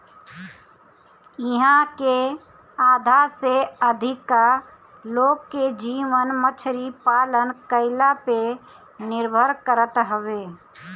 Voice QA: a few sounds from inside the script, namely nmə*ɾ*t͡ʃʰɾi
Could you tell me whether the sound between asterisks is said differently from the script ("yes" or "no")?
yes